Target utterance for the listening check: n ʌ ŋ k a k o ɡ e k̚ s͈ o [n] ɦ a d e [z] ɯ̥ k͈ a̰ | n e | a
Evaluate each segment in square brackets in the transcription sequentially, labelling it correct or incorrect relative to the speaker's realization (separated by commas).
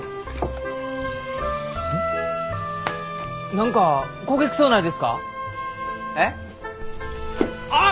correct, incorrect